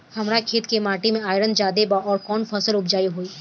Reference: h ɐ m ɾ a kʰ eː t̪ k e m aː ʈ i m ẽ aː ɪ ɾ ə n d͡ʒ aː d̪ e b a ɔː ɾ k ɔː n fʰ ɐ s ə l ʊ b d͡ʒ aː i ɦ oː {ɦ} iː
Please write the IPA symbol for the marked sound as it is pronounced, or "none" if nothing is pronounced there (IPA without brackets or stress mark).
none